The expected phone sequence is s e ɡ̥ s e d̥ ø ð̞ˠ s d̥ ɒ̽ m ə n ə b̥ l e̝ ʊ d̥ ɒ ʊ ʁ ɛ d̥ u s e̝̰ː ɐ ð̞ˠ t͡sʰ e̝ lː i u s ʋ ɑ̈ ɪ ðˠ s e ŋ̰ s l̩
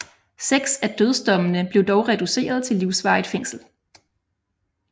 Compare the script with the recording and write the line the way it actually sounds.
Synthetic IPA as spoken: s e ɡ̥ s æ d̥ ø ð̞ˠ s d̥ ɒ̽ m ə n ə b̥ l e̝ ʊ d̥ ɒ ʊ ʁ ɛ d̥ u s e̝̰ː ɐ ð̞ˠ t͡sʰ e̝ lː i ʊ s ʋ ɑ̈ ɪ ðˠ f e ŋ̰ s l̩